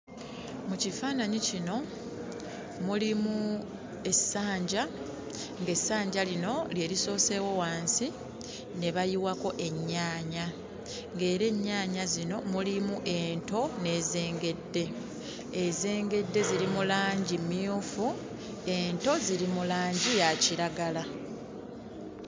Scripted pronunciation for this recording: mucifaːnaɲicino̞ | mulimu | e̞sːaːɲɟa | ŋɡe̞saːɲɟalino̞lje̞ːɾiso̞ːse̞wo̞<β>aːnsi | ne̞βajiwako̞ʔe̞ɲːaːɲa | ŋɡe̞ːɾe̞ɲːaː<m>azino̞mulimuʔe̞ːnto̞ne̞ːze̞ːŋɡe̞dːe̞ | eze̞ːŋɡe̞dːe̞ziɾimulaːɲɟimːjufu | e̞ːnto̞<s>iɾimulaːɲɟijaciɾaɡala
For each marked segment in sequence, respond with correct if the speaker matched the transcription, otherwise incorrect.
incorrect, incorrect, incorrect

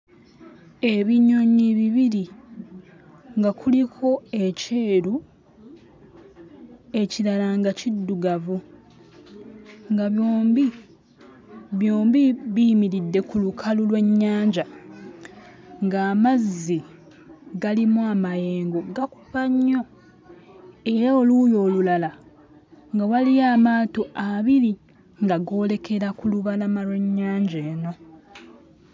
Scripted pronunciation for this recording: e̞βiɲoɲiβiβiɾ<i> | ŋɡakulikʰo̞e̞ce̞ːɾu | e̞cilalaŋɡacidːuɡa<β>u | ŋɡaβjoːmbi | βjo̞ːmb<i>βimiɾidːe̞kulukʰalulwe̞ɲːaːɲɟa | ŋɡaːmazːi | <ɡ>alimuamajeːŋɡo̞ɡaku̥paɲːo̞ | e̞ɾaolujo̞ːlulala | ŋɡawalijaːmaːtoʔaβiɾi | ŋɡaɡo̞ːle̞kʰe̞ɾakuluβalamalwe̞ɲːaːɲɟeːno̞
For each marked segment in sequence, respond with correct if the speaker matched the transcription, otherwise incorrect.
correct, incorrect, correct, correct

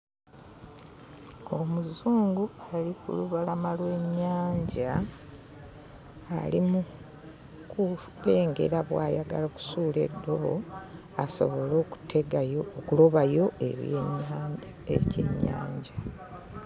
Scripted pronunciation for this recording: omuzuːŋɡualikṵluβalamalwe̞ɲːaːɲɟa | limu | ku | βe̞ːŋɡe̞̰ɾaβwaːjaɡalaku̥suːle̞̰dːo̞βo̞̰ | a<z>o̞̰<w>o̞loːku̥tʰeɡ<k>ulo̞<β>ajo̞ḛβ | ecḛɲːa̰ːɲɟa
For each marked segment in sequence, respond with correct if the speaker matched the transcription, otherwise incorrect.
incorrect, incorrect, correct, correct

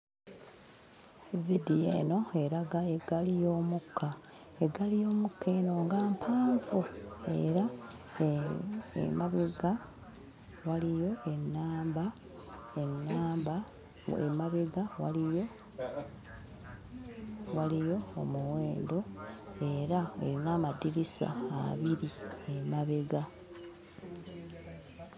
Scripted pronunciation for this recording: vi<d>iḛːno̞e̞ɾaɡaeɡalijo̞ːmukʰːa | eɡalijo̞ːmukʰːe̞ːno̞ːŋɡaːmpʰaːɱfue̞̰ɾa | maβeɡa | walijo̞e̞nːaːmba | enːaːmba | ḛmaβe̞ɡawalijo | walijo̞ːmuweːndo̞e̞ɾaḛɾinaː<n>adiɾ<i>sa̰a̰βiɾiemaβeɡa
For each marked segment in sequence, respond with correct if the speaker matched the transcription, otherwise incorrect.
correct, incorrect, correct

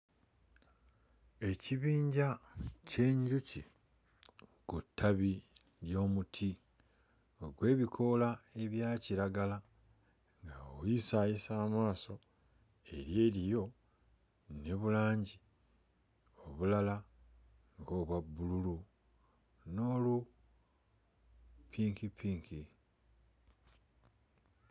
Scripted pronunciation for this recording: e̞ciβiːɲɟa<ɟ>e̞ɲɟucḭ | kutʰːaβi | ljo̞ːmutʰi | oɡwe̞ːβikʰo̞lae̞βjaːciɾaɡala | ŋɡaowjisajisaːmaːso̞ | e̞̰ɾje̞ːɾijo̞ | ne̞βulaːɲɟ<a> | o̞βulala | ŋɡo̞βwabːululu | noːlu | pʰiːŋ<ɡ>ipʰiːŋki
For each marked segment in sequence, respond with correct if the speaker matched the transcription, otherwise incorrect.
incorrect, incorrect, incorrect

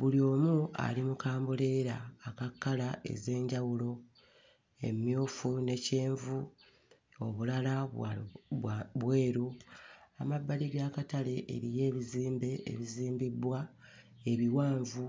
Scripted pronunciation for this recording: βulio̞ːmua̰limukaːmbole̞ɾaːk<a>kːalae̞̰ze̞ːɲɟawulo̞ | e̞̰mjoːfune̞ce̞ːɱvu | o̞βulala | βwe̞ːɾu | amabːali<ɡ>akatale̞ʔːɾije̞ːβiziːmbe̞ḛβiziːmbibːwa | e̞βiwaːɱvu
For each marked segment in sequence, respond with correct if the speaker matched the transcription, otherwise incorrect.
correct, correct

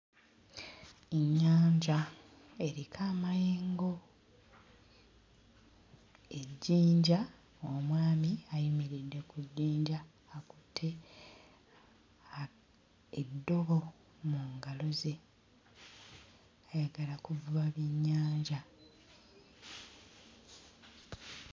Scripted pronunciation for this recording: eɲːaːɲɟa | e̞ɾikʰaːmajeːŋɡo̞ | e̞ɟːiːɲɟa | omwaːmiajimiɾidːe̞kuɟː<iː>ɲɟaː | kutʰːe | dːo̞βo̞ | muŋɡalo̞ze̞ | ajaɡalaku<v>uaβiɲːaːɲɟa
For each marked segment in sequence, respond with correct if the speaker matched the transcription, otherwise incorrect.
correct, correct

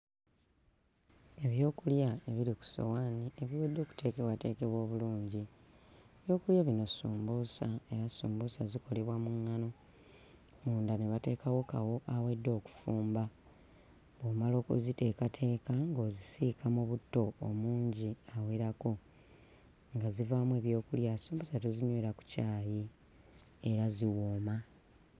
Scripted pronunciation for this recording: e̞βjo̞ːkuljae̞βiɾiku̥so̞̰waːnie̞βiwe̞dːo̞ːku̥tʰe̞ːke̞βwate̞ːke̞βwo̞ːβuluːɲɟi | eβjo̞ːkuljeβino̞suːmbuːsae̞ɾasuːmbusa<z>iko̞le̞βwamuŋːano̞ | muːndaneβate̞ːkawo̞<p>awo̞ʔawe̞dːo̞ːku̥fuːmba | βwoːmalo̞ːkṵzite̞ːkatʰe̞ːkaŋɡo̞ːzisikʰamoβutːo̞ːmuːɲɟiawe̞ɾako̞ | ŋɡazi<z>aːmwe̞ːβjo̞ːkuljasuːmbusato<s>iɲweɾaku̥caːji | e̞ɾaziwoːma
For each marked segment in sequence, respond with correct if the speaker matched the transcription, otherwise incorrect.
correct, incorrect, incorrect, incorrect

